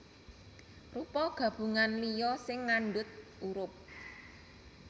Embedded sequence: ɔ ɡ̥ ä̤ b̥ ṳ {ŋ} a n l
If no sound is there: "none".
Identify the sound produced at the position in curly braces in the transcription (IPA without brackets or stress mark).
ŋ